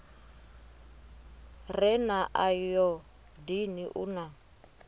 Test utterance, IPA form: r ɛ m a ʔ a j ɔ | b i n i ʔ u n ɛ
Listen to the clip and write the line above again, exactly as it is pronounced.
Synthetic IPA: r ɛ n a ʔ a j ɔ | d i n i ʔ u n a